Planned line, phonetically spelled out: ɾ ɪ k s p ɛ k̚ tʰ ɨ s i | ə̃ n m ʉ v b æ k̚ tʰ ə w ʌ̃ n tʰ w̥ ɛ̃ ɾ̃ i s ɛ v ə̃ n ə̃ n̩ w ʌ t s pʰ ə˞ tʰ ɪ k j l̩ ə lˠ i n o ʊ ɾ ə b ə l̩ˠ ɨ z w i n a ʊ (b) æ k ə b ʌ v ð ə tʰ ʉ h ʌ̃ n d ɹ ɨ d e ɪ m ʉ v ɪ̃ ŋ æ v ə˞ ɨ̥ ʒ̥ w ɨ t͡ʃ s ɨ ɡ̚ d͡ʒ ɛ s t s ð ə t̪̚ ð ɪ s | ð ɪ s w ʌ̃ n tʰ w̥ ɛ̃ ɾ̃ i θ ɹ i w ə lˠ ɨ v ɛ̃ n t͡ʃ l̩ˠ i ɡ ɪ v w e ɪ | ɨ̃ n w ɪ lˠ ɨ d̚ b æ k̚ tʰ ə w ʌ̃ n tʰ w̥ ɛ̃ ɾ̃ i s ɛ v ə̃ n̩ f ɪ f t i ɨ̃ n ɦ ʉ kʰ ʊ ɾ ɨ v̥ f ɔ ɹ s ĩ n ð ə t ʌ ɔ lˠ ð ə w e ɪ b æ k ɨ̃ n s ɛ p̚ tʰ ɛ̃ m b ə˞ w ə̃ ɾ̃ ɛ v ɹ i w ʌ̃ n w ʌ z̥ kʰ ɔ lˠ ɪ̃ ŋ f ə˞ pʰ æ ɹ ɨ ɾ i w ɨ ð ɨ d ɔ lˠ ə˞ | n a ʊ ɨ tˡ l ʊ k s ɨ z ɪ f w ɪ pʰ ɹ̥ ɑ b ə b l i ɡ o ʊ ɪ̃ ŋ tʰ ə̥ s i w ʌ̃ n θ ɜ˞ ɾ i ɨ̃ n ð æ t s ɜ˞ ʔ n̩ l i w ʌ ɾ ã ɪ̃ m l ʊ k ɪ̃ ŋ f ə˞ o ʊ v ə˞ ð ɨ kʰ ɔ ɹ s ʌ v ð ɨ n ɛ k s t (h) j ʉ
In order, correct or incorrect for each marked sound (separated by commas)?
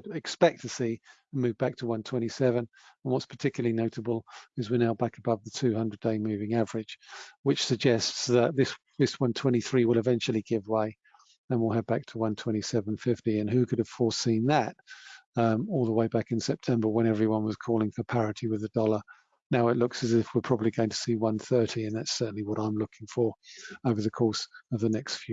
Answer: correct, incorrect